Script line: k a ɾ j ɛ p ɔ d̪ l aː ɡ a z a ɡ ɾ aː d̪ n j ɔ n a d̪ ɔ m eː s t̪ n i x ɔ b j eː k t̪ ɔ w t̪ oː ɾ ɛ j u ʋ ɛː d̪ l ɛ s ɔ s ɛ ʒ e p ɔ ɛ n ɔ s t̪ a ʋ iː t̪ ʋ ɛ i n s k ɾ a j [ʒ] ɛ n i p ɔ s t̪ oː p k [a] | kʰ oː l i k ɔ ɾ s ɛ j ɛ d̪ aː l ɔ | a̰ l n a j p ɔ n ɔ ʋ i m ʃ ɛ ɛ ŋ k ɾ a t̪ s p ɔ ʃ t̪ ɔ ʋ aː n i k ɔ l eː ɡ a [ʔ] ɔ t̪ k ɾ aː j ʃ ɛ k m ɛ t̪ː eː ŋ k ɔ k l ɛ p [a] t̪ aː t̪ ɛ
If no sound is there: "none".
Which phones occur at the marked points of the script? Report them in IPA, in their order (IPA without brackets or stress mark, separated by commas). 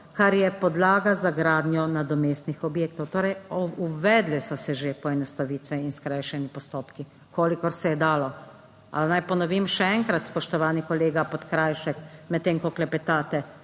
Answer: ʃ, i, p, ɛ